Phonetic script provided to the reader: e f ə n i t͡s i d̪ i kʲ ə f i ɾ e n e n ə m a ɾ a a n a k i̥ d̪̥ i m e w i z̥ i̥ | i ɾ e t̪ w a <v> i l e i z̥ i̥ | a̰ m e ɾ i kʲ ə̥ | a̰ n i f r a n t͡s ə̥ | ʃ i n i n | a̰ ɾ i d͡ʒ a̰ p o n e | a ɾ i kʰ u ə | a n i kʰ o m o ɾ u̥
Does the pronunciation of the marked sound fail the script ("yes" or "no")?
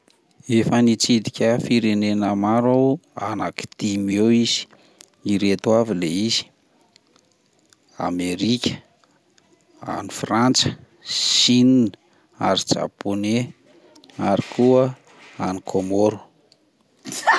no